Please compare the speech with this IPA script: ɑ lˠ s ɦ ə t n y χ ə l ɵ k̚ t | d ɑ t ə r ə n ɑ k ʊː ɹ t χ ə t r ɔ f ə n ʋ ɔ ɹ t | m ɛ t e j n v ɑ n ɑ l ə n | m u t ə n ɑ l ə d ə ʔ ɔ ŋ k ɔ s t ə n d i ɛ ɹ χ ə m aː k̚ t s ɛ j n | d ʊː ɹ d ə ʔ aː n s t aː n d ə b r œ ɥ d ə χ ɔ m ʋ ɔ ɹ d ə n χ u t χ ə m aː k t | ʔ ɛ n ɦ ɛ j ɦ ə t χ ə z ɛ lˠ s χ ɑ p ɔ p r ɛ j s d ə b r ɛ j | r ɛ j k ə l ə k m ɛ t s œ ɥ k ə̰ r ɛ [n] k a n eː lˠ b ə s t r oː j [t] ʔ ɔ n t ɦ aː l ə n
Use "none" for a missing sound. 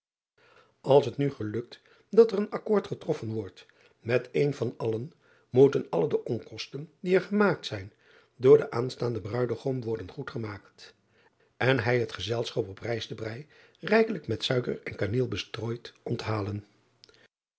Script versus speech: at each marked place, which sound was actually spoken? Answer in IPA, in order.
n, t

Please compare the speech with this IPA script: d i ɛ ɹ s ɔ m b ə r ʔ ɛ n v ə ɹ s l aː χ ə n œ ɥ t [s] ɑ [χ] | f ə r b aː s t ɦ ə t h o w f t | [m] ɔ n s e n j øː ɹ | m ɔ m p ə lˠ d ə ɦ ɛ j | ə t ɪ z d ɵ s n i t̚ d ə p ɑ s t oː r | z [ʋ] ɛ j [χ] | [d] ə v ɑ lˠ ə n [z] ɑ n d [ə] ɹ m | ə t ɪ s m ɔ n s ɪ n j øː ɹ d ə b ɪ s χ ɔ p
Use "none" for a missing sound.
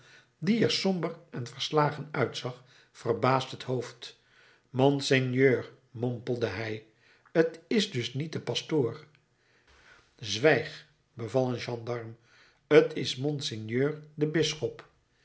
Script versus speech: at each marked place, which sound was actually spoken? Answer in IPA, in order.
s, χ, m, ʋ, χ, b, ʒ, ɑ

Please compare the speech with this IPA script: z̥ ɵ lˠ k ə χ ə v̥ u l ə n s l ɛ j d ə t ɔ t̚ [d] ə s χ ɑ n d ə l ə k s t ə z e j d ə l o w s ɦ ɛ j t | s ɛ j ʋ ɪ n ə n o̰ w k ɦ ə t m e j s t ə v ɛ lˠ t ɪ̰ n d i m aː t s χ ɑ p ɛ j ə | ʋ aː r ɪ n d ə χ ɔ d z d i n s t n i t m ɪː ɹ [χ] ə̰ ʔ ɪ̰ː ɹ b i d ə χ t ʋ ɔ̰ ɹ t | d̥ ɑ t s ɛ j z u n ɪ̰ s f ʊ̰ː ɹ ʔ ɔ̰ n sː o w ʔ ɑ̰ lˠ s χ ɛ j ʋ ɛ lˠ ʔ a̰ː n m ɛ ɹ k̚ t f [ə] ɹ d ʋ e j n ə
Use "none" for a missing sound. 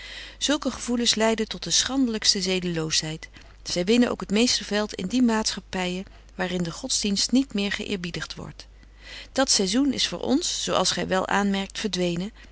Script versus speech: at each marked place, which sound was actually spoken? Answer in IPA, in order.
d, χ, ə

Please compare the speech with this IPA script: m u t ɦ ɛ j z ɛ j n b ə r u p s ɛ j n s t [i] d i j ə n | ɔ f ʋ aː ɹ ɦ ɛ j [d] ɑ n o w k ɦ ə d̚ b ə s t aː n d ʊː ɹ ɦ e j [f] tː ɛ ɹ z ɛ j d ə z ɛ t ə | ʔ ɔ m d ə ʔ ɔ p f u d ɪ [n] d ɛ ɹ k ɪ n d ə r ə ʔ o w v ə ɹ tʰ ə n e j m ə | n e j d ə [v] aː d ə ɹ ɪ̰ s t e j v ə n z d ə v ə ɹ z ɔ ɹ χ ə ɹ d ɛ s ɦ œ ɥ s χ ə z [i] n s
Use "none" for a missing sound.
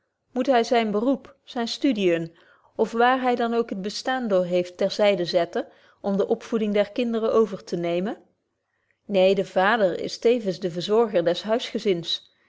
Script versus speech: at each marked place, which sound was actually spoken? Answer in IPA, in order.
y, d, f, ŋ, v, ɪ

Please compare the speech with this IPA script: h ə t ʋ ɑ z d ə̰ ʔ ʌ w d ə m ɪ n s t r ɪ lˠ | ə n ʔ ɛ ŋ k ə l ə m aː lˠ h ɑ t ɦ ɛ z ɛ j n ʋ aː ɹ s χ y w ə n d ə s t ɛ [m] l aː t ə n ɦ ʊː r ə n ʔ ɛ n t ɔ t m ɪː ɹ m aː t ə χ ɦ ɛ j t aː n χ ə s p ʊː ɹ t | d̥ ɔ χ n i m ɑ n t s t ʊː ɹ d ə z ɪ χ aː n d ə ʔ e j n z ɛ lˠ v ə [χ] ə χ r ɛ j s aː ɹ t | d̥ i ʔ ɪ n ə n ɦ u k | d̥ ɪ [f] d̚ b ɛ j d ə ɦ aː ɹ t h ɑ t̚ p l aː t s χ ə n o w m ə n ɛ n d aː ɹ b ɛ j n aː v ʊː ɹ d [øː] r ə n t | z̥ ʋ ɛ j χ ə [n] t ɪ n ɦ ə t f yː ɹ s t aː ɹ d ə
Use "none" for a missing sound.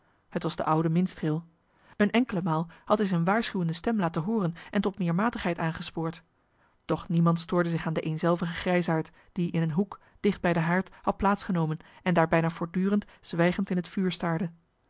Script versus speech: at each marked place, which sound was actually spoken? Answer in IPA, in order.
m, χ, χ, yː, n

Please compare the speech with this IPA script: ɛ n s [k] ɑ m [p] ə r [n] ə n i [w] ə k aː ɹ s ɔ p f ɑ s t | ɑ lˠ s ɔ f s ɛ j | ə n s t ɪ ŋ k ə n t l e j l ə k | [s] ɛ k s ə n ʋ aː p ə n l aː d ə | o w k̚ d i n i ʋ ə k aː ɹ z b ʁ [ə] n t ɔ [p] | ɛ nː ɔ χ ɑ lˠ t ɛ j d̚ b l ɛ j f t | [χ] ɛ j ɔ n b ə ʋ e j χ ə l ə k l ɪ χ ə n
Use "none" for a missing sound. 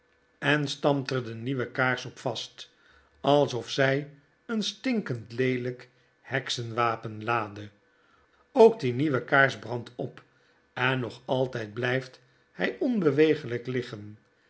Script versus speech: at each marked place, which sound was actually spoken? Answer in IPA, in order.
t, t, d, ʋ, h, ɑ, p, h

